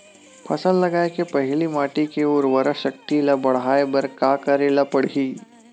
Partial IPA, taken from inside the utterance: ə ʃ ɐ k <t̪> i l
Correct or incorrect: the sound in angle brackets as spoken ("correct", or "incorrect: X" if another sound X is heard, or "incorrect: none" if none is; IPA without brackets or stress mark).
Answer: correct